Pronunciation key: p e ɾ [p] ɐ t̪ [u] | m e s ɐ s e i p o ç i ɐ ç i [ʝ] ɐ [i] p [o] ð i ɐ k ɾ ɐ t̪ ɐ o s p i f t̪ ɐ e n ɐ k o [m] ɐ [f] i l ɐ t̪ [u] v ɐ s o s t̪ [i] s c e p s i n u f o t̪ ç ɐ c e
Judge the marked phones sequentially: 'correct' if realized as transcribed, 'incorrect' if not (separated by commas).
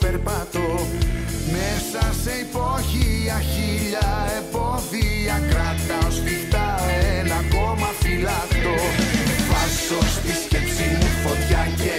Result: correct, incorrect, incorrect, incorrect, correct, correct, correct, incorrect, correct